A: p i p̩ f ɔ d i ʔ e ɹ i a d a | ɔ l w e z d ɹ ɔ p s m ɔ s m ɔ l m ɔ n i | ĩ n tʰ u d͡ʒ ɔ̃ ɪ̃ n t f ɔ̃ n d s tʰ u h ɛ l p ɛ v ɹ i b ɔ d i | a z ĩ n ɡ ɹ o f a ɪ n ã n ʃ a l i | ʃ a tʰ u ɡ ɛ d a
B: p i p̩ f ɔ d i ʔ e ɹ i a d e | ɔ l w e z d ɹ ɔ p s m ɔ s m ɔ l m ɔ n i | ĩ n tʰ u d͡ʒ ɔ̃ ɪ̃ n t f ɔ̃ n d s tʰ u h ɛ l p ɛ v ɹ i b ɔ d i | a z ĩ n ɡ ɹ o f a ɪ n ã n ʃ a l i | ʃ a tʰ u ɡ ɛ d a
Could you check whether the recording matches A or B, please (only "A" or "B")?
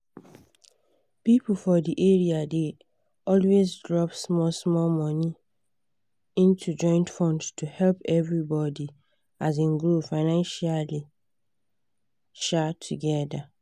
B